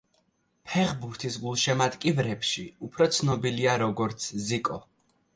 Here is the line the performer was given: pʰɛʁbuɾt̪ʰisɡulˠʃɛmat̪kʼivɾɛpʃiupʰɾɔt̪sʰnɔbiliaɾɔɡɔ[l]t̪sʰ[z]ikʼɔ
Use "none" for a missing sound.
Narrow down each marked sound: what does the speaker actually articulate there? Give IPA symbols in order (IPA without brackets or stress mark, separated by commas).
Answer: ɾ, z